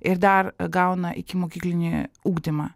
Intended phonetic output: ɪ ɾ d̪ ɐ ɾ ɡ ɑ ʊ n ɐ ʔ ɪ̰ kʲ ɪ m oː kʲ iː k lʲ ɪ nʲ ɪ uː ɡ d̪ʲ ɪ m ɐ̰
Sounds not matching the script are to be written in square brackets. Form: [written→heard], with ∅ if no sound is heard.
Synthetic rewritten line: ɪ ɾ d̪ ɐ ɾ ɡ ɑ ʊ n ɐ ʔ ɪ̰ kʲ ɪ m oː kʲ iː k lʲ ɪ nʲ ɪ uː ɡ d̪ʲ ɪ m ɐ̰